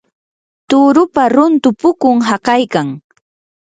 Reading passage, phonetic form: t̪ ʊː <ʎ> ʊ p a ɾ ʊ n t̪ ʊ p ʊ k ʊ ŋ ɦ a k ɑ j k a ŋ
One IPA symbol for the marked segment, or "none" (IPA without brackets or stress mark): ɾ